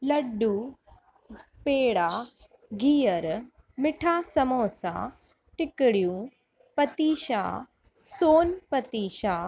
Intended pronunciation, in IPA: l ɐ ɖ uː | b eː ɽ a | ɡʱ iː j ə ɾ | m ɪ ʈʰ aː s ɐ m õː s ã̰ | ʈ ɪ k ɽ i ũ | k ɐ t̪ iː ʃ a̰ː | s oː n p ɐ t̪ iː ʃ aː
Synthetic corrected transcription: l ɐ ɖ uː | p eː ɽ a | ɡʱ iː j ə ɾ | m ɪ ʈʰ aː s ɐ m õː s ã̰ | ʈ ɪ k ɽ j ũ | p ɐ t̪ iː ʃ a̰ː | s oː n p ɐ t̪ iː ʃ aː